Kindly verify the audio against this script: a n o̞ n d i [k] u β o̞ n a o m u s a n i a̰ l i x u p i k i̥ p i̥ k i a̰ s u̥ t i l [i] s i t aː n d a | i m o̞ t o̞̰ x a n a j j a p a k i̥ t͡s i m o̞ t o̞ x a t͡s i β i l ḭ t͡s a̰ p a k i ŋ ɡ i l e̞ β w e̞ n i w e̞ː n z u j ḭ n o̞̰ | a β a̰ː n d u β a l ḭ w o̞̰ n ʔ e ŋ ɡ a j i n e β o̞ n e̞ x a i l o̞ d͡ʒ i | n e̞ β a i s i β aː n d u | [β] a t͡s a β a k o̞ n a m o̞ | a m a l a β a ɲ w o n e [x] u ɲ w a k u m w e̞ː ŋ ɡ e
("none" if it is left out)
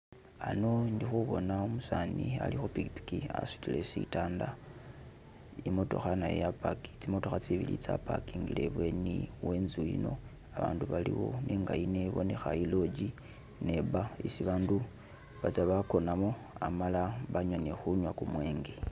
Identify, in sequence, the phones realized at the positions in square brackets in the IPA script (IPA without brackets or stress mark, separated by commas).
x, e, β, x